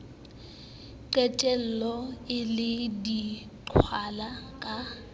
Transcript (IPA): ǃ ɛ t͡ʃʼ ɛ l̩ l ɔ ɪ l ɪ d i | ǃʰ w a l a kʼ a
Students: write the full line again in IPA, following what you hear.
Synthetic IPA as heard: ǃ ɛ t͡ʃʼ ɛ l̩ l ɔ ɪ l ɪ d i | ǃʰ w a l a kʼ a